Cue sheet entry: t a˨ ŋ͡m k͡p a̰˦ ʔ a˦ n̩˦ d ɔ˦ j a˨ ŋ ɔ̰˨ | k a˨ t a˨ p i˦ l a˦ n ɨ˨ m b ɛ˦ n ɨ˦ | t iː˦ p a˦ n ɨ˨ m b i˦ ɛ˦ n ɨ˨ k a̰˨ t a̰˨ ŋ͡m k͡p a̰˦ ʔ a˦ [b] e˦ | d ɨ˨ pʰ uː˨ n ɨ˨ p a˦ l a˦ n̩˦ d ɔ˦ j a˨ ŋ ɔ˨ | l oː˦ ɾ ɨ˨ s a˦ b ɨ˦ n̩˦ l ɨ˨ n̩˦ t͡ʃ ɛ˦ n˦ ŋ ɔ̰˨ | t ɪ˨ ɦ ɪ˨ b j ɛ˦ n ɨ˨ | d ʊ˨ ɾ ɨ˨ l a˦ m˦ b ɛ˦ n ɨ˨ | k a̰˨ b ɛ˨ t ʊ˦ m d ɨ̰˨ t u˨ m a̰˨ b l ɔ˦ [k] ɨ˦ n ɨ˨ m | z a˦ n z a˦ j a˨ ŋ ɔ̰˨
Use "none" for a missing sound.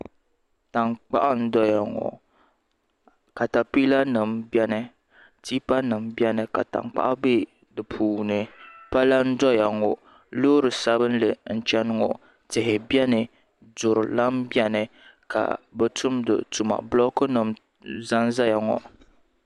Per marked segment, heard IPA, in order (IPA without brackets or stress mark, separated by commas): b, k